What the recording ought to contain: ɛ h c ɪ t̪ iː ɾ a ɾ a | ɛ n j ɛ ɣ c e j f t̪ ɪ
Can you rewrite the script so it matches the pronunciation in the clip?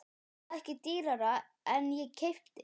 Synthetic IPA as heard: ɛ h c ɪ t̪ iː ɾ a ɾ a | ɛ n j ɛ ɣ cʰ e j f t̪ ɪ